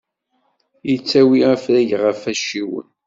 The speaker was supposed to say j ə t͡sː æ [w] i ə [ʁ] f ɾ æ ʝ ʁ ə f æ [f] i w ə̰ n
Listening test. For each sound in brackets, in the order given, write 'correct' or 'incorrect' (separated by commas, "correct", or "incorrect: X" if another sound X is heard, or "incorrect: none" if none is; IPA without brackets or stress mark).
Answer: correct, incorrect: none, incorrect: ʃ